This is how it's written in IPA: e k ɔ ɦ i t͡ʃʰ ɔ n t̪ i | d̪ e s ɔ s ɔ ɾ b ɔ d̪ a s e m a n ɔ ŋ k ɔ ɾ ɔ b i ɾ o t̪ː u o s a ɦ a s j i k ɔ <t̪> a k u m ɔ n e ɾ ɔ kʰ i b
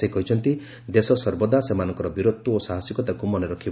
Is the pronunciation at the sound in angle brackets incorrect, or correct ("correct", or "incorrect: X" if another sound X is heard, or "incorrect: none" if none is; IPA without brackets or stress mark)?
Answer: correct